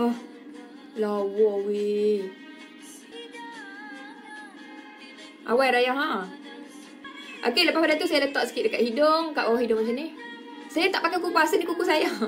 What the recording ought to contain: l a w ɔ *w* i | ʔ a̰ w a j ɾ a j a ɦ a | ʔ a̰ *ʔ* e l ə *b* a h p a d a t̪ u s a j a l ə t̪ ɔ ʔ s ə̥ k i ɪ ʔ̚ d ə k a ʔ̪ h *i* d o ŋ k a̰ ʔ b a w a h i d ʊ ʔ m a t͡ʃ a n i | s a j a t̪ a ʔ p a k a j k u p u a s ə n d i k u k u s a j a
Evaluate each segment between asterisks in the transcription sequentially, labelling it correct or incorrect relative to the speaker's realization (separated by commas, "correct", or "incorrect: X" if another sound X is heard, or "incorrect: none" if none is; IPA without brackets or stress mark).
correct, incorrect: k, incorrect: p, correct